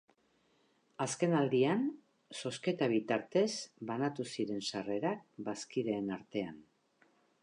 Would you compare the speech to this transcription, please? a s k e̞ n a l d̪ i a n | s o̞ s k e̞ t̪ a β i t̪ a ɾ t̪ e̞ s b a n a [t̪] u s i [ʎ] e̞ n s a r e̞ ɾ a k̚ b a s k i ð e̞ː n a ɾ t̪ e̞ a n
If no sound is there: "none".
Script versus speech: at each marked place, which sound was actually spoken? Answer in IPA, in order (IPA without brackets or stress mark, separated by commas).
t̪, ɾ